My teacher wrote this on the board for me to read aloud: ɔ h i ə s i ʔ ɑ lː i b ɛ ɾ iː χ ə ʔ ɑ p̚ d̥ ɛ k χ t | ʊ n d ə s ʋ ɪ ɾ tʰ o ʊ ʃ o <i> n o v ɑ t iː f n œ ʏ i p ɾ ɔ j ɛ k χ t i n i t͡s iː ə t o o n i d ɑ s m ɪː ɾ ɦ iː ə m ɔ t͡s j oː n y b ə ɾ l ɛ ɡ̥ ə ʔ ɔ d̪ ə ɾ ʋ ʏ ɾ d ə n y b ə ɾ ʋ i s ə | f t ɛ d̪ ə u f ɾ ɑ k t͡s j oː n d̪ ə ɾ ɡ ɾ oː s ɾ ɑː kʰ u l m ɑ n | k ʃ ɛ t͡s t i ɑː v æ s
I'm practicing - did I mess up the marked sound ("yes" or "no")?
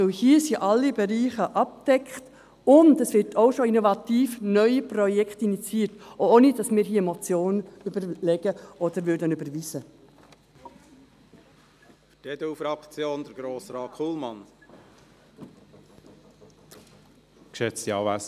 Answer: no